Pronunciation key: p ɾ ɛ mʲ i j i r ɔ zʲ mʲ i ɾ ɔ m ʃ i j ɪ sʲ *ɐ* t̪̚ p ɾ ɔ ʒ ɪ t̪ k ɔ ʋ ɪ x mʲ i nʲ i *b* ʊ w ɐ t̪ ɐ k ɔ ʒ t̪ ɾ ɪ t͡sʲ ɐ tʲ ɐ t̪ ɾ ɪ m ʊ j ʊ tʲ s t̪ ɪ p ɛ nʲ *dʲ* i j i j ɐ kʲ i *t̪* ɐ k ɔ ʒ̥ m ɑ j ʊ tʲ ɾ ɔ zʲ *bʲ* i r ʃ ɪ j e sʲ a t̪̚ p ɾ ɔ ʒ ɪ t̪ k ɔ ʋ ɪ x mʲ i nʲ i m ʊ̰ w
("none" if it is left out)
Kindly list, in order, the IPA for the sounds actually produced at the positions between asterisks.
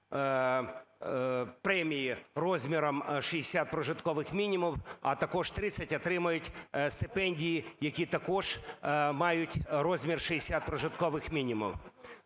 a, m, dʲ, t̪, mʲ

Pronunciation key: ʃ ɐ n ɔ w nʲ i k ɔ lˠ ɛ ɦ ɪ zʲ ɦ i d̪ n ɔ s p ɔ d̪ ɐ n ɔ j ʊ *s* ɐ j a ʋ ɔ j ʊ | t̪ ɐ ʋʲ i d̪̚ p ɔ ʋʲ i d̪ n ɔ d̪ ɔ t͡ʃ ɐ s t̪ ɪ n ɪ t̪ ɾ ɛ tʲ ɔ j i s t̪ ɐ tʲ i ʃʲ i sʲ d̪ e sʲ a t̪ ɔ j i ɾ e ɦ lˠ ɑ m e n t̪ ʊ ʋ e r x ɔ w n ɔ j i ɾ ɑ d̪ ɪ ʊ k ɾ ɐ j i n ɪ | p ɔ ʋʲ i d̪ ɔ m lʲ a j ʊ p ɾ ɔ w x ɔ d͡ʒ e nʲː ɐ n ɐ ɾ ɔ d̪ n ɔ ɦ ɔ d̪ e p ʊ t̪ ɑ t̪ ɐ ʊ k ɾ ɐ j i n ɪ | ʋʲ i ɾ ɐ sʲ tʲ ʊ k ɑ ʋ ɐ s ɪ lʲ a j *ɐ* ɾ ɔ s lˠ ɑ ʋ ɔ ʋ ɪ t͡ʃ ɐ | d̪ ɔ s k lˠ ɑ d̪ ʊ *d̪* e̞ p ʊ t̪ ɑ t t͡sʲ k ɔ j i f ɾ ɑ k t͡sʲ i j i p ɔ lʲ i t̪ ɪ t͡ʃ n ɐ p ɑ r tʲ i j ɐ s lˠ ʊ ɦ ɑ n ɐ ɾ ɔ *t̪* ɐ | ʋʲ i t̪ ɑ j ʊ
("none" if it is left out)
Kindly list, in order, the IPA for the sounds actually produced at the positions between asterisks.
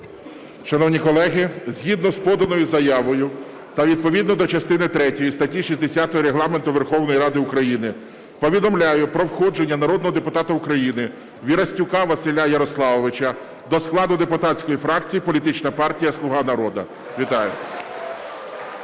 z, ɐ, d̪, d̪

